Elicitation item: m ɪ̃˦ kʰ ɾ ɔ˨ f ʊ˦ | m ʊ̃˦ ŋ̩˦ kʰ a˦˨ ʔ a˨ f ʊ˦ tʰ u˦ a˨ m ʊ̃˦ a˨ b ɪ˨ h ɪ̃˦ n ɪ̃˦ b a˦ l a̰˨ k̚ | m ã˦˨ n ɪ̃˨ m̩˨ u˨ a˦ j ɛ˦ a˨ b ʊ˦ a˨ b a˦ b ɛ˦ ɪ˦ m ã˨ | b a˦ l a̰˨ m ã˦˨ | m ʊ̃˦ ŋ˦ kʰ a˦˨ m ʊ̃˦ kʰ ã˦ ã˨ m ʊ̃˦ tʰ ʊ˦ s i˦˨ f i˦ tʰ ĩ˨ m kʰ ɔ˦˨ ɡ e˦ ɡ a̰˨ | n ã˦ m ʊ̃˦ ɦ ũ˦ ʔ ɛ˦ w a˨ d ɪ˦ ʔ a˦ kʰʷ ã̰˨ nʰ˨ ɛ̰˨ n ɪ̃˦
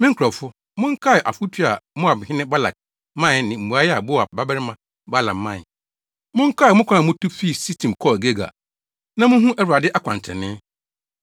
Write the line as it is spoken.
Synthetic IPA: m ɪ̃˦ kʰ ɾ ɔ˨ f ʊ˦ | m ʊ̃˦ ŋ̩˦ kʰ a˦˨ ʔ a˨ f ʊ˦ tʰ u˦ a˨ m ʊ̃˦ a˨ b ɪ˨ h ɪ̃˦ n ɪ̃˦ b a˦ l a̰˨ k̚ | m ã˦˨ n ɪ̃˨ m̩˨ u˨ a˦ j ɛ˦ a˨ b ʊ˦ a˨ b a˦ b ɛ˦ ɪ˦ m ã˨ | b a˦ l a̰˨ m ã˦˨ | m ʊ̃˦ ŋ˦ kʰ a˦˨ m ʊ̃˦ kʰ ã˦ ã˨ m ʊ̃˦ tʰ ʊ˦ f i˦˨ s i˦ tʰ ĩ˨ m kʰ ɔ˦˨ ɡ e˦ ɡ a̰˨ | n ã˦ m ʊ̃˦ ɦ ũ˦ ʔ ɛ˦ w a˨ d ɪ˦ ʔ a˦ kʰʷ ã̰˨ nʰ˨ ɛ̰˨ n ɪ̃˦